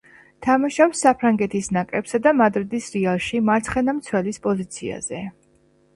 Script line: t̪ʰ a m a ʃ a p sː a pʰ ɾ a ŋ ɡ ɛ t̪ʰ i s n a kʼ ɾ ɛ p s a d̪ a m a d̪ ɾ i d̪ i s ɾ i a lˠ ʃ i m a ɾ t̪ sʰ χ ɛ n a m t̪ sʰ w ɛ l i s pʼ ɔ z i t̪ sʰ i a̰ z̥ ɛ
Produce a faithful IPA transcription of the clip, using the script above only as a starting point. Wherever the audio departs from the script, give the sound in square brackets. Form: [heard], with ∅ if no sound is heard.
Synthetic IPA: t̪ʰ a m a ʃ a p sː a pʰ ɾ a ŋ ɡ ɛ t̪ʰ i s n a kʼ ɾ ɛ p s a d̪ a m a d̪ ɾ i d̪ i s ɾ i a lˠ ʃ i m a ɾ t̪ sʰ χ ɛ n a m t̪ sʰ w ɛ l i s pʼ ɔ z i t̪ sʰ i a̰ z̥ ɛ